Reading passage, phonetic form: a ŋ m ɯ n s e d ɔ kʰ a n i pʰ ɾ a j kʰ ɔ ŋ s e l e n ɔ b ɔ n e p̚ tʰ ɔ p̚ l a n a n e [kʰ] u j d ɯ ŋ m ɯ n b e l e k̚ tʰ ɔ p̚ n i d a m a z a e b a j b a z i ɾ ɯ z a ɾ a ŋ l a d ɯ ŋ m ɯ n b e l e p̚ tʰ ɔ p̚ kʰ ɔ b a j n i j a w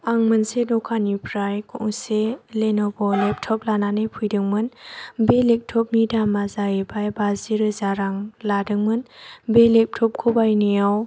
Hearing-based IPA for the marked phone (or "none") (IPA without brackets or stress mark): pʰ